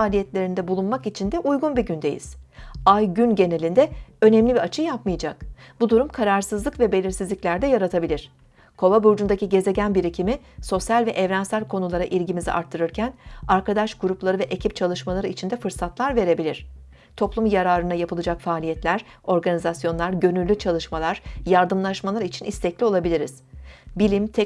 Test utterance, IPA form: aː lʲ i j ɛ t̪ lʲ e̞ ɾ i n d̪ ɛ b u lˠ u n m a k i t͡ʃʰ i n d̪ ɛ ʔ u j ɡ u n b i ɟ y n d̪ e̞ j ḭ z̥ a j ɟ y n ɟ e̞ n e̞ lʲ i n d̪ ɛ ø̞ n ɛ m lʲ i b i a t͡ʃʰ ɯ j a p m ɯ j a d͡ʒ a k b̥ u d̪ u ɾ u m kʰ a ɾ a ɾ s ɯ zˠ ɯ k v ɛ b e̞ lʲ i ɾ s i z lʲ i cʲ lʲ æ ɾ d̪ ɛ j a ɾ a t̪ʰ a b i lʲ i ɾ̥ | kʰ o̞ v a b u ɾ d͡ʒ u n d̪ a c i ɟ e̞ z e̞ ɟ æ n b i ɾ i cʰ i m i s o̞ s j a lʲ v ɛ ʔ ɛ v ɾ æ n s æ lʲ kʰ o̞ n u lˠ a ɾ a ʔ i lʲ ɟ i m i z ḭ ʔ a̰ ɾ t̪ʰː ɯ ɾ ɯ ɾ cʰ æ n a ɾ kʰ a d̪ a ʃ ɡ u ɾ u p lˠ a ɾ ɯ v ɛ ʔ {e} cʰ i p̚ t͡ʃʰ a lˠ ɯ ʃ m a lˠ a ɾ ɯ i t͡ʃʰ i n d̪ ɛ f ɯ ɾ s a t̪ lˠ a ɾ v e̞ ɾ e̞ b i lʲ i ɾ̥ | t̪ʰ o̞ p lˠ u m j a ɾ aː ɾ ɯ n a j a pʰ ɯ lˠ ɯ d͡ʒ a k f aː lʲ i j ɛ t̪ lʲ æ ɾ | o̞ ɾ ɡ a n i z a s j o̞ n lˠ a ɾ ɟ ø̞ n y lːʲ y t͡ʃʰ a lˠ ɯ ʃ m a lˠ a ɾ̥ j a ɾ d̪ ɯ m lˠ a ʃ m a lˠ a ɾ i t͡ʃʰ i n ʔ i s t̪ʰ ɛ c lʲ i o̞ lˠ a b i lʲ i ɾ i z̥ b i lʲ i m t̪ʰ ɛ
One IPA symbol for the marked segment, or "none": e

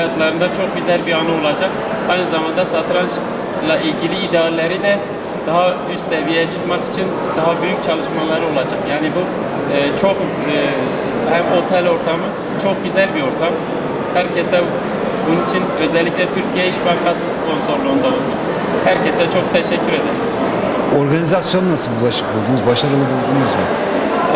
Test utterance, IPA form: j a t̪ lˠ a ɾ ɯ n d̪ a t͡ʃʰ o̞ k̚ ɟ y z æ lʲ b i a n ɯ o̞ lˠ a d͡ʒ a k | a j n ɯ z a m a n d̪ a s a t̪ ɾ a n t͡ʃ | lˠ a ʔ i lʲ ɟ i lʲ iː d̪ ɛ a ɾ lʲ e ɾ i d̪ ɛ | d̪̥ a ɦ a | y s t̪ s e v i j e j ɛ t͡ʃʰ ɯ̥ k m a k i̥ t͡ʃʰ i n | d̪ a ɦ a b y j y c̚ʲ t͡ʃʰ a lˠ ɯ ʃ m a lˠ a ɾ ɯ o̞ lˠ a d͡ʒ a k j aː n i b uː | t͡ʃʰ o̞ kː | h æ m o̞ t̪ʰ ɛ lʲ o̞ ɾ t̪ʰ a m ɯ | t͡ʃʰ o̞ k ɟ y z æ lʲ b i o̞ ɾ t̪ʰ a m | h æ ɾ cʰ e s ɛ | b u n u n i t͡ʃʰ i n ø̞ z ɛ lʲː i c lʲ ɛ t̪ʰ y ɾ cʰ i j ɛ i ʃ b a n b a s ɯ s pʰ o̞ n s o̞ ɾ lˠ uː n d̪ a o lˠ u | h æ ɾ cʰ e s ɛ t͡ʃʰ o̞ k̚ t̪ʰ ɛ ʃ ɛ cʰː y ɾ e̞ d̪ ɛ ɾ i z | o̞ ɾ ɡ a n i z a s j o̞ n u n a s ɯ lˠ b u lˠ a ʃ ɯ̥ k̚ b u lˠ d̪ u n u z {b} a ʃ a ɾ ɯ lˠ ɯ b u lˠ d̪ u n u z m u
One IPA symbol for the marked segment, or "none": b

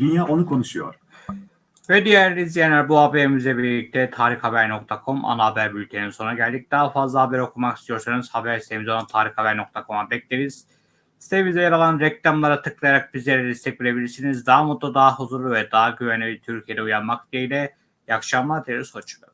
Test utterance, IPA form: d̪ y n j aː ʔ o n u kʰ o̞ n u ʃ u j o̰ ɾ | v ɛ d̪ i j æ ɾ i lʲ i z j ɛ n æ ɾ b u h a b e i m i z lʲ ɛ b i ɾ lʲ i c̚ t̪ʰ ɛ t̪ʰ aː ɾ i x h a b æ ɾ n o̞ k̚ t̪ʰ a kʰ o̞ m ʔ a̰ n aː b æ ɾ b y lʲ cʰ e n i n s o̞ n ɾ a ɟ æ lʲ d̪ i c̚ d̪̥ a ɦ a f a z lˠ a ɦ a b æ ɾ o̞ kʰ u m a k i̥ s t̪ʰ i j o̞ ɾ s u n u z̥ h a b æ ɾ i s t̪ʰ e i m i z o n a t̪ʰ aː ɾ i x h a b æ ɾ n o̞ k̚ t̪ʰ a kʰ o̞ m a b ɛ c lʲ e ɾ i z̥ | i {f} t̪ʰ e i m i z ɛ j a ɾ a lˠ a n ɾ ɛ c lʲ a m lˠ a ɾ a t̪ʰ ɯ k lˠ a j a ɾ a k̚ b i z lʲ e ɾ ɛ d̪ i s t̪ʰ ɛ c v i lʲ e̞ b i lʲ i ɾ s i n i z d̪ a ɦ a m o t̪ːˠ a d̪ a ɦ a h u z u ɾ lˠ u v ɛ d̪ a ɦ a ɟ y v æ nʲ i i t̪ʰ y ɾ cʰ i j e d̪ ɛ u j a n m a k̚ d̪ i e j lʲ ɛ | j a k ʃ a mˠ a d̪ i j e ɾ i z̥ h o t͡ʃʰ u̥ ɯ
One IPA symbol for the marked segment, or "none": s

